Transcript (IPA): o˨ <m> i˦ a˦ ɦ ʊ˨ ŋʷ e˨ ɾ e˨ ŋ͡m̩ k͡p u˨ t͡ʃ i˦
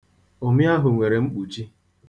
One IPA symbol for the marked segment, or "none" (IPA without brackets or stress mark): m